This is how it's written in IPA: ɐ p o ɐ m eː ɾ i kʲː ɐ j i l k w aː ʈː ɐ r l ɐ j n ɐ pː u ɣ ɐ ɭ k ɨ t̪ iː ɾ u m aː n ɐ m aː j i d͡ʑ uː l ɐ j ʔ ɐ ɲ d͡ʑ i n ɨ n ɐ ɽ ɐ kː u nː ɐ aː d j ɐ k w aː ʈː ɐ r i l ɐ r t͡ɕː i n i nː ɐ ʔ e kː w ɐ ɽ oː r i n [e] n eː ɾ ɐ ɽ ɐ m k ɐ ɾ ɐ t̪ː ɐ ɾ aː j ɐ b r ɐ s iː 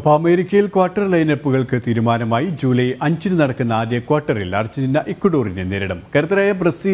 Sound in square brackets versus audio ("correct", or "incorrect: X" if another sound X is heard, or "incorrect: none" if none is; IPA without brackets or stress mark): correct